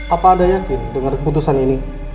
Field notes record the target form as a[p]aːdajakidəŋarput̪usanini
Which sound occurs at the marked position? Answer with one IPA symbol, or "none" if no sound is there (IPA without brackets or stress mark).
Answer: p